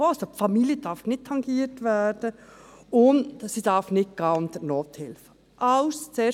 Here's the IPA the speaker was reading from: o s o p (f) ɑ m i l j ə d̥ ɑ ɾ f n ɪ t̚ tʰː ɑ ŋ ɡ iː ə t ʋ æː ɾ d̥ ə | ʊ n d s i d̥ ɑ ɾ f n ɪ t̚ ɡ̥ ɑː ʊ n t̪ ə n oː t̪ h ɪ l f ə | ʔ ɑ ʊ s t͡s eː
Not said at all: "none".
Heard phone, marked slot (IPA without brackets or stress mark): f